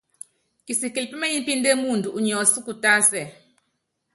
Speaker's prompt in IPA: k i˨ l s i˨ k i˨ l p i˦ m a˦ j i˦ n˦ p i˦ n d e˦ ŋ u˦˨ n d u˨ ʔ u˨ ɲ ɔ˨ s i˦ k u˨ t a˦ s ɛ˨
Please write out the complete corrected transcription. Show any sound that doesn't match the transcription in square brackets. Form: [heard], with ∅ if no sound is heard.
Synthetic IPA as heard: k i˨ [∅] s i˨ k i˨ l p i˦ m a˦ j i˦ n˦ p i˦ n d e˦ [m] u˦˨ n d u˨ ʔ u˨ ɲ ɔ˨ s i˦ k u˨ t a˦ s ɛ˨